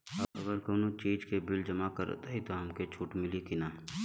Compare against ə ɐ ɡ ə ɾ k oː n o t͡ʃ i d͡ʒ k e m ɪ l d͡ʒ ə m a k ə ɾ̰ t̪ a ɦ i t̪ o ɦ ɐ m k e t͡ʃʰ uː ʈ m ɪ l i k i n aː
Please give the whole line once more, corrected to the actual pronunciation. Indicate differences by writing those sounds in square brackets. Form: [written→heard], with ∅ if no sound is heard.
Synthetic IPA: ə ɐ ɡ ə ɾ k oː n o t͡ʃ [i→iː] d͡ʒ k e [m→b] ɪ l d͡ʒ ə m a k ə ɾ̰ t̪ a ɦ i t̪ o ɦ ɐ m k e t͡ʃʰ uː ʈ m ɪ l i k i n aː